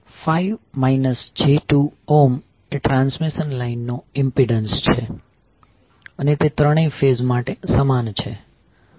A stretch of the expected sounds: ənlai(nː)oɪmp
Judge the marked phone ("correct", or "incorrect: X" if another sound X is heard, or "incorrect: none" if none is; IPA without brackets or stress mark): correct